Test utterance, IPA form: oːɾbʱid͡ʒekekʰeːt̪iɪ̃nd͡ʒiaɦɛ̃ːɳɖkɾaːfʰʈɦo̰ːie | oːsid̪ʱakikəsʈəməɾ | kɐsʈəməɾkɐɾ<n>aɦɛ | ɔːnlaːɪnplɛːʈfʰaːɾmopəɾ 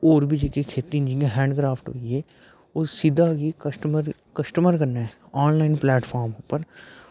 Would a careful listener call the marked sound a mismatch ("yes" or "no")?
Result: no